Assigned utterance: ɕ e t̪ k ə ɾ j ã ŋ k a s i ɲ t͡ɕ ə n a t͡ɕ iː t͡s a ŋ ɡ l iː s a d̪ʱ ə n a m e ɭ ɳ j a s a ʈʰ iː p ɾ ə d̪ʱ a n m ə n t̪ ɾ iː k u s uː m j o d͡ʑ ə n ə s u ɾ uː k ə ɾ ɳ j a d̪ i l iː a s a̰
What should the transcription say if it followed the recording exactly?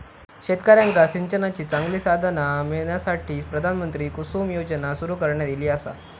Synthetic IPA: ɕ e t̪ k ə ɾ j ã ŋ k a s i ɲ t͡ɕ ə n a t͡ɕ iː t͡s a ŋ ɡ l iː s a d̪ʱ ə n a m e ɭ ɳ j a s a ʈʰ iː p ɾ ə d̪ʱ a n m ə n t̪ ɾ iː k u s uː m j o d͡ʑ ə n a s u ɾ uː k ə ɾ ɳ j a d̪ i l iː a s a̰